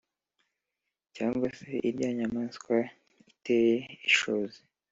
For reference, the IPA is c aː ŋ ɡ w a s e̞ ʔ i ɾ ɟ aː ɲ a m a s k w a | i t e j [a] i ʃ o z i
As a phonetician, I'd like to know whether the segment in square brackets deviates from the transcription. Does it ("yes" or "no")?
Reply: yes